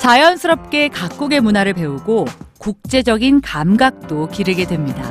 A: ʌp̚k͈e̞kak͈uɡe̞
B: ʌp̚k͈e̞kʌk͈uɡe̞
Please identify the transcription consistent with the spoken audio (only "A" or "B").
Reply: A